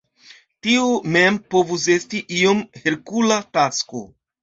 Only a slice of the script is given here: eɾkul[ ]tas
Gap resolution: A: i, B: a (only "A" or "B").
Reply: B